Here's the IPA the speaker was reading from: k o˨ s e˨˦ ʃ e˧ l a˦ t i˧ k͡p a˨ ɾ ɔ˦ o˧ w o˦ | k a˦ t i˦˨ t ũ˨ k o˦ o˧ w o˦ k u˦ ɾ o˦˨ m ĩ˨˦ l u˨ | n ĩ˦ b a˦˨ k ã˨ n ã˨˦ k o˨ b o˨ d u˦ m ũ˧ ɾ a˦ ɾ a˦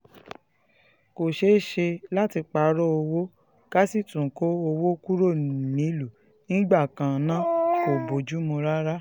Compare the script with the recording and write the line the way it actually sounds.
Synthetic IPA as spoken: k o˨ ʃ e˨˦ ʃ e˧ l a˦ t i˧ k͡p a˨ ɾ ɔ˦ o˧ w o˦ | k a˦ s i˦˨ t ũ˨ k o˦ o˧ w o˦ k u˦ ɾ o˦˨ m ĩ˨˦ l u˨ | n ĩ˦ ɡ͡b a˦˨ k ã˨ n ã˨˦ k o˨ b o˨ d͡ʒ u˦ m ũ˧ ɾ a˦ ɾ a˦

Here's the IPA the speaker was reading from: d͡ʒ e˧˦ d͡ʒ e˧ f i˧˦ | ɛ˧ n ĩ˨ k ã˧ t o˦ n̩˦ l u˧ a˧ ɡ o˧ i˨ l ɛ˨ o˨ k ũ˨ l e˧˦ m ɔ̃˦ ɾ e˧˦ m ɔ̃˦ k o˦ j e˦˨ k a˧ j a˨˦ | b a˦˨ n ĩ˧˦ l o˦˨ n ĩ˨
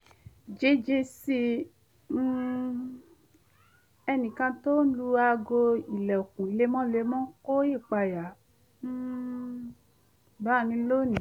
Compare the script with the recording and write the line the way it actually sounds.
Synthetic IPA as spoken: d͡ʒ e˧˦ d͡ʒ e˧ s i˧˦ | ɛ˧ n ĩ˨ k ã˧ t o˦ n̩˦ l u˧ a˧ ɡ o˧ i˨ l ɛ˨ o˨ k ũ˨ l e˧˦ m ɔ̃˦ l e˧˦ m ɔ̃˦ k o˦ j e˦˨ k͡p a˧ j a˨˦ | b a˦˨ n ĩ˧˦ l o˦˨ n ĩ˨

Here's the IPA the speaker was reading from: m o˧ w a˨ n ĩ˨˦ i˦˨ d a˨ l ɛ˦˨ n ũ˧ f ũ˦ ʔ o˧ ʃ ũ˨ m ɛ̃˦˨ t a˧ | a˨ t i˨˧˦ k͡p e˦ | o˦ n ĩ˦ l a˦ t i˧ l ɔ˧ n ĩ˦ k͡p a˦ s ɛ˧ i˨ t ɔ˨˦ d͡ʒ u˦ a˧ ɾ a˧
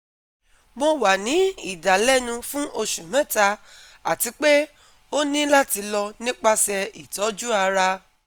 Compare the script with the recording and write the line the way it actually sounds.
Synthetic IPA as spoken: m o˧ w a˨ n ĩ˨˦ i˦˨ d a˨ l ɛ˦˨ n ũ˧ f ũ˦ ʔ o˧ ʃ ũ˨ m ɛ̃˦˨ t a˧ | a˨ t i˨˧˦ k͡p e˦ | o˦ n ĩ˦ l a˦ t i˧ l ɔ˧ n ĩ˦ k͡p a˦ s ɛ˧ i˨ t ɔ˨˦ d͡ʒ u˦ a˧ ɾ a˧

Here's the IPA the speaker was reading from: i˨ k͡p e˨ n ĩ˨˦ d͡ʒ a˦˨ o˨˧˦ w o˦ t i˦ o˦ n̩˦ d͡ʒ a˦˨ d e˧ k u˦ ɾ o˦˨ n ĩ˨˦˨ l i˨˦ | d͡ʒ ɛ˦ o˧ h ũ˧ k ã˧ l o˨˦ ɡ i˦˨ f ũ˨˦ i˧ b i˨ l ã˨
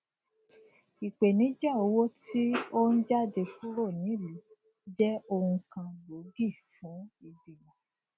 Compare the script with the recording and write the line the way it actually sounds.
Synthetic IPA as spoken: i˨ k͡p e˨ n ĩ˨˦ d͡ʒ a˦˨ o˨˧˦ w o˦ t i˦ o˦ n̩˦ d͡ʒ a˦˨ d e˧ k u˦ ɾ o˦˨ n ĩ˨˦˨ l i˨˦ | d͡ʒ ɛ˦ o˧ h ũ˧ k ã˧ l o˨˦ ɡ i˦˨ f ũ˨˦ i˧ b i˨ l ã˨

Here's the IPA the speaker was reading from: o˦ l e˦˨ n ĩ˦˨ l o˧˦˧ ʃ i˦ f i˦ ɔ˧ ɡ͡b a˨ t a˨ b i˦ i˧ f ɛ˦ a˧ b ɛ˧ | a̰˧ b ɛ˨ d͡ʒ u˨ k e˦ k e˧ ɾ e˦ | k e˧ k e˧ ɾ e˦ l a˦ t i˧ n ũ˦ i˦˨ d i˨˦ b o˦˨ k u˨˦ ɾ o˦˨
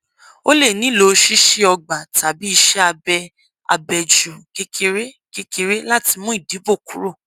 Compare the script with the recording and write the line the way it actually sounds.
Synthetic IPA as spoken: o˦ l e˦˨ n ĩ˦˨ l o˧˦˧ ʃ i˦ ʃ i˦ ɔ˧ ɡ͡b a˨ t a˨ b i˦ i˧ ʃ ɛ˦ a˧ b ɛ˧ | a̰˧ b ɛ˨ d͡ʒ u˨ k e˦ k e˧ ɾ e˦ | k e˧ k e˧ ɾ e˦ l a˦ t i˧ m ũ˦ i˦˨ d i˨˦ b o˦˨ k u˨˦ ɾ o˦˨

